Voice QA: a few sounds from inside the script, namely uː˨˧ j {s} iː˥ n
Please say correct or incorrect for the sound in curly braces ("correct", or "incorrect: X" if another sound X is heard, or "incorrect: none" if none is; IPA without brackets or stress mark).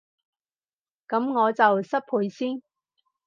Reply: correct